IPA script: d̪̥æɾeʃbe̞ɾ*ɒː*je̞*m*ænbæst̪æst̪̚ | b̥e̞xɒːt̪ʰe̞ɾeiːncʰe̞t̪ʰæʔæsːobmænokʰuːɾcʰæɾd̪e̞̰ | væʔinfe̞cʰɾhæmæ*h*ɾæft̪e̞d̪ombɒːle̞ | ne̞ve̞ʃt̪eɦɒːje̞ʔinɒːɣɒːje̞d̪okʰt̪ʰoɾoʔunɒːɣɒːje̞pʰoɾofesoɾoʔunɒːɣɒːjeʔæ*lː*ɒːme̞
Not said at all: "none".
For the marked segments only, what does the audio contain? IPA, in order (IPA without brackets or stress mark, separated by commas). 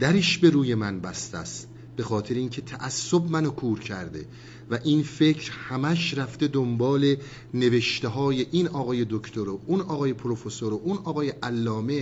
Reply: uː, m, ʃ, lː